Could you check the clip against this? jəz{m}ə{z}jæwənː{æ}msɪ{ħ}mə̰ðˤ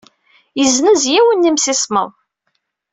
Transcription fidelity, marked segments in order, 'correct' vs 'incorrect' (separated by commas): incorrect, correct, incorrect, incorrect